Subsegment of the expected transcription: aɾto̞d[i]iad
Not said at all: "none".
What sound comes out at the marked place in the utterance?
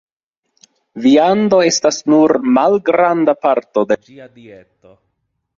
e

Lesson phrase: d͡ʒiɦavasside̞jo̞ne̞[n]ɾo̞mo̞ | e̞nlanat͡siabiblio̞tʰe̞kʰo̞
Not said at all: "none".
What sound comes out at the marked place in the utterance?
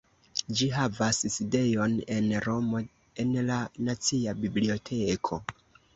n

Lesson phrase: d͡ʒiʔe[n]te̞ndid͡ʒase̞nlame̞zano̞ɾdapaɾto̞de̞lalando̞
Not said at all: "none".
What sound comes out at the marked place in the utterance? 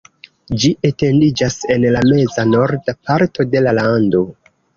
none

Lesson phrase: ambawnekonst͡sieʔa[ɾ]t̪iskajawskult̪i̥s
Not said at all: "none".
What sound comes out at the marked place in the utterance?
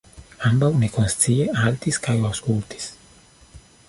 l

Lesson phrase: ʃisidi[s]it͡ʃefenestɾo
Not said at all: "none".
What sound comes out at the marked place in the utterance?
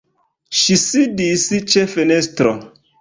s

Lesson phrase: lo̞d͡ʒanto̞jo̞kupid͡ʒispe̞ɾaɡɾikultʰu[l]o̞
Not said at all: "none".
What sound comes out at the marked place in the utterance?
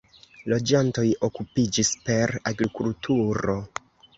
ɾ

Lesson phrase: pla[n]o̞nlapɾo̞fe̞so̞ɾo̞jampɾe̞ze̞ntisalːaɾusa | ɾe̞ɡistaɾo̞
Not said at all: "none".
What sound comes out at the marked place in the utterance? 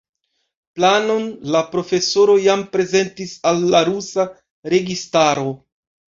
n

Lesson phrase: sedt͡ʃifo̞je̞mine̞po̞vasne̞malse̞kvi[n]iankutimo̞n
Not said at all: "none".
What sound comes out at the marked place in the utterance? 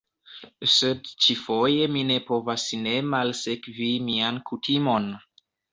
m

